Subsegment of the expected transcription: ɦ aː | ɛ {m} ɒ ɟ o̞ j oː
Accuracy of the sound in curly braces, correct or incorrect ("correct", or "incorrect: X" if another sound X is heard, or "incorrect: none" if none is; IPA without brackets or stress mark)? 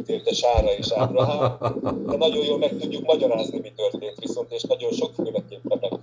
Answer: incorrect: n